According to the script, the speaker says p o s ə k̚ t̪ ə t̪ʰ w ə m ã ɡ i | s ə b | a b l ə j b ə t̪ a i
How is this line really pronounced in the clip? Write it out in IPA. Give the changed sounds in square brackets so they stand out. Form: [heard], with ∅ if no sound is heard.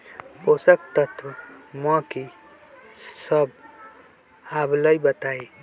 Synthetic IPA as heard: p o s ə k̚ t̪ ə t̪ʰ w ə m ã [k] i | s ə b | a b l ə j b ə t̪ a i